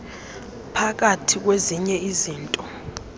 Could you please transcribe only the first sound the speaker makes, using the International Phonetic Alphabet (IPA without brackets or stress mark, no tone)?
pʰ